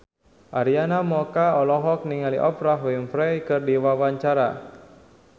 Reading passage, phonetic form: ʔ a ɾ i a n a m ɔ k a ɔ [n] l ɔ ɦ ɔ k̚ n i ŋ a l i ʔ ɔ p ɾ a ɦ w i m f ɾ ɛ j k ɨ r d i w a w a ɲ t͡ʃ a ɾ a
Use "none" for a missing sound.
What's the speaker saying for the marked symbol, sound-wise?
none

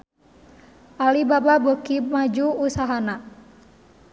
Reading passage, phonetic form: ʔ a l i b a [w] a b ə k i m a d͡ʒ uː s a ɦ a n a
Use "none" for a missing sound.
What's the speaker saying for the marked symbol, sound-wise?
b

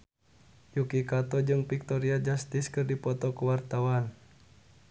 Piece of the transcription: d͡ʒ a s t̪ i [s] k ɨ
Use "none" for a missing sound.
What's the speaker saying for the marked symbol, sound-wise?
s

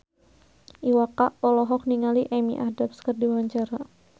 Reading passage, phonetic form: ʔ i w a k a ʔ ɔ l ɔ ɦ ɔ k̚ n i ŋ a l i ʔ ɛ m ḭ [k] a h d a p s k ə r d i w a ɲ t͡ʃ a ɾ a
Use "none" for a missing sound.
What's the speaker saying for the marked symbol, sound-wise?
ʔ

